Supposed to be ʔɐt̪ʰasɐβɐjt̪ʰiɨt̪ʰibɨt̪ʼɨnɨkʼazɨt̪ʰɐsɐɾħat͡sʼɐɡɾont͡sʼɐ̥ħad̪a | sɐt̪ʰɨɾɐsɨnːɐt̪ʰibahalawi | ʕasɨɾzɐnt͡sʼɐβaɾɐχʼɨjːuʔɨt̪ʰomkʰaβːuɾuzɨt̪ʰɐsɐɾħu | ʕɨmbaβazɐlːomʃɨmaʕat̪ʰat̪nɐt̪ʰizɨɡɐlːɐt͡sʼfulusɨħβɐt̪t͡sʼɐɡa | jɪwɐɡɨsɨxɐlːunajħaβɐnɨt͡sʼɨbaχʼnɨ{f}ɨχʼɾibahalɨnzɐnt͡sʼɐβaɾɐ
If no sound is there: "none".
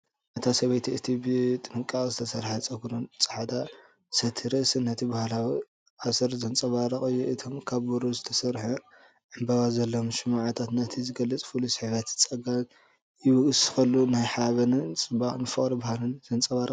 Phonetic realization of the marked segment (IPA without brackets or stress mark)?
f